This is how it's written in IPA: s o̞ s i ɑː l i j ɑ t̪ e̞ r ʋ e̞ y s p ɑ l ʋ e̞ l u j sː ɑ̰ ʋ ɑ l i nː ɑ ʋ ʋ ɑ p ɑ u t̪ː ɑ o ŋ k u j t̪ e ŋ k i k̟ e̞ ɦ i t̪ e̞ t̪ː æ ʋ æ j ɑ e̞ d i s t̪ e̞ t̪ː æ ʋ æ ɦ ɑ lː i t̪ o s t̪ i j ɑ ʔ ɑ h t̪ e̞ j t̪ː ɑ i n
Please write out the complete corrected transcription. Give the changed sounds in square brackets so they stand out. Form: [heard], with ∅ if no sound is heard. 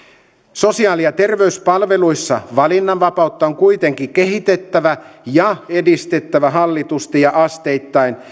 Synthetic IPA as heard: s o̞ s i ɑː l i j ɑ t̪ e̞ r ʋ e̞ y s p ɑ l ʋ e̞ l u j sː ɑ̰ ʋ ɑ l i nː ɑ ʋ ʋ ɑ p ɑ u t̪ː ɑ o ŋ k u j t̪ e ŋ k i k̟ e̞ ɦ i t̪ e̞ t̪ː æ ʋ æ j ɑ e̞ d i s t̪ e̞ t̪ː æ ʋ æ ɦ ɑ lː i t̪ [u] s t̪ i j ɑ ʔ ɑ [s] t̪ e̞ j t̪ː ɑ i n